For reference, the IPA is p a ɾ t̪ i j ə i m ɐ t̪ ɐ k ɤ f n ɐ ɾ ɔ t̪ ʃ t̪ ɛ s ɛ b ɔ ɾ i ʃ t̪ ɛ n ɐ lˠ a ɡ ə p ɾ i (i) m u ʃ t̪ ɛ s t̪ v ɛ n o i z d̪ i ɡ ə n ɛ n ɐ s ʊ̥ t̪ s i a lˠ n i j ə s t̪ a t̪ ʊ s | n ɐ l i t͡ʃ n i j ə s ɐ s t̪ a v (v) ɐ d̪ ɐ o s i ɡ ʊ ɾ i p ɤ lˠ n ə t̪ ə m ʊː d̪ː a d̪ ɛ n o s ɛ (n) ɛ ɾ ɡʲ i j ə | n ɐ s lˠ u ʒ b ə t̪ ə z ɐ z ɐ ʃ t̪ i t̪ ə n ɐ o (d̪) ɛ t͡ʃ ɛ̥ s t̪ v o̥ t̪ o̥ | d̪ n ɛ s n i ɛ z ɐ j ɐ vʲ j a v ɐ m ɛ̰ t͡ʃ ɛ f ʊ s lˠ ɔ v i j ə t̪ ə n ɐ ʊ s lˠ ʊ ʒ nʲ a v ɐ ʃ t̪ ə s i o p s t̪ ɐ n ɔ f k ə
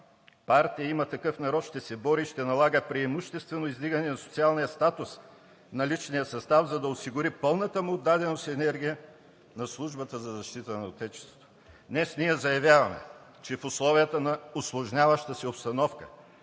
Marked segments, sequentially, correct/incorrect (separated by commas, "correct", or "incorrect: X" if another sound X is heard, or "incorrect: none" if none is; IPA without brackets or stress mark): incorrect: ɛ, incorrect: z, correct, incorrect: t̪